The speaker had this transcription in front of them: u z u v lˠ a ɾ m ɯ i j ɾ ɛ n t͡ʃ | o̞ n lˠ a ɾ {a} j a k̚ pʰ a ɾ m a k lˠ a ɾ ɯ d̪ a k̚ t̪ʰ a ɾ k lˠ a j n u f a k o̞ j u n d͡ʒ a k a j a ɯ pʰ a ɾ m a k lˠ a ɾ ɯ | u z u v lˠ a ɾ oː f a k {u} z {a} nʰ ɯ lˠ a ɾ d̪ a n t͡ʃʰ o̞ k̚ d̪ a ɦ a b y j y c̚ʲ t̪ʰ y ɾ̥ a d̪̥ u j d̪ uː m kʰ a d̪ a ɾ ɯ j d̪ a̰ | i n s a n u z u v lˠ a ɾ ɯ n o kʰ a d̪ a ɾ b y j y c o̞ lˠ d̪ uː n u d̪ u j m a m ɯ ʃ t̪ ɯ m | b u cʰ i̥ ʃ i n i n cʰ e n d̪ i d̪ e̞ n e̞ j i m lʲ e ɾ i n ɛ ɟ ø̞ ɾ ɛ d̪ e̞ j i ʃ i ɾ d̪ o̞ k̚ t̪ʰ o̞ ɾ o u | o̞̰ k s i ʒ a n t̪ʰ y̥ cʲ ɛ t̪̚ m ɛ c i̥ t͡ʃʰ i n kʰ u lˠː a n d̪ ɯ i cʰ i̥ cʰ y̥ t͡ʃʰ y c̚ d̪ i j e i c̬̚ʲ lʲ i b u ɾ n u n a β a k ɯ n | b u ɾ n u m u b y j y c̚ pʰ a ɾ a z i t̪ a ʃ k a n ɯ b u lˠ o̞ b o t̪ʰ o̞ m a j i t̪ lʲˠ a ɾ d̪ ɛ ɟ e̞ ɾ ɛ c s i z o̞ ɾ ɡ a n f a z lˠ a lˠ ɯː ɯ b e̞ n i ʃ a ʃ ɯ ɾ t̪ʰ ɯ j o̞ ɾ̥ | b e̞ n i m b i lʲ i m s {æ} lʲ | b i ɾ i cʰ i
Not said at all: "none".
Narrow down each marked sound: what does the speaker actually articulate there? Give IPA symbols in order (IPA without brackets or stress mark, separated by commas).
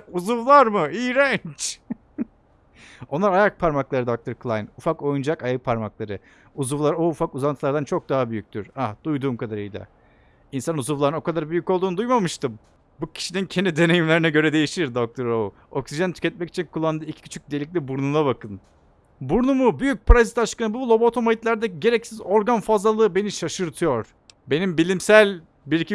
a, u, a, æ